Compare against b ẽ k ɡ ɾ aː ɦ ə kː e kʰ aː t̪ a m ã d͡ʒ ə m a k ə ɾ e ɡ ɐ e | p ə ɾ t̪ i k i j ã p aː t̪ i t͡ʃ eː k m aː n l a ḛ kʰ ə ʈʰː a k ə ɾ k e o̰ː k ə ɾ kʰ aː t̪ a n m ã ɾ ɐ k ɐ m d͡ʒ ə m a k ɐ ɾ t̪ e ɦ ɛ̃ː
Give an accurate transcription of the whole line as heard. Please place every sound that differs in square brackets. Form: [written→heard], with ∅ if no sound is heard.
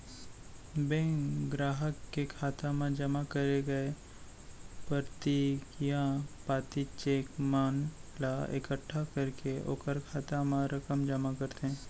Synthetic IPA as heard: b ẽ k ɡ ɾ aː ɦ ə kː e kʰ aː t̪ a m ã d͡ʒ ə m a k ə ɾ e ɡ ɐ e | p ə ɾ t̪ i k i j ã p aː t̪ i t͡ʃ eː k m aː n l a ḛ [kʰ→k] ə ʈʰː a k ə ɾ k e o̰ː k ə ɾ kʰ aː t̪ a [n→∅] m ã ɾ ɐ k [ɐ→ə] m d͡ʒ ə m a k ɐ ɾ t̪ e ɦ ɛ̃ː